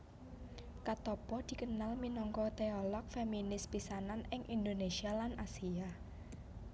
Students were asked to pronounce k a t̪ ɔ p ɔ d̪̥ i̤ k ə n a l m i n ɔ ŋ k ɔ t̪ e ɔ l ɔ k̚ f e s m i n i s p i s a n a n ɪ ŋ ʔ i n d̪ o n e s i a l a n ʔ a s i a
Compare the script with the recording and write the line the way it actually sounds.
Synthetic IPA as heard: k a t̪ ɔ p ɔ d̪̥ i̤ k ə n a l m i n ɔ ŋ k ɔ t̪ e ɔ l ɔ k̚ f e m i n ɪ s p i s a n a n ɪ ŋ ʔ i n d̪ o n e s i a l a n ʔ a s i a